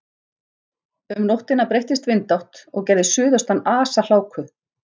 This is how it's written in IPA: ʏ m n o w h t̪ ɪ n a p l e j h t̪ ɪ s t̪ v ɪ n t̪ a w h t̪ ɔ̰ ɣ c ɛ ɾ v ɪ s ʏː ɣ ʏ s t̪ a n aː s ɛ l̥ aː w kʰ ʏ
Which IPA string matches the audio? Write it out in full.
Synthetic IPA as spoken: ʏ m n o w h t̪ ɪ n a p ɾ e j h t̪ ɪ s t̪ v ɪ n t̪ a w h t̪ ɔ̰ ɣ c ɛ ɾ ð ɪ s ʏː ð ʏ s t̪ a n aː s a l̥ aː w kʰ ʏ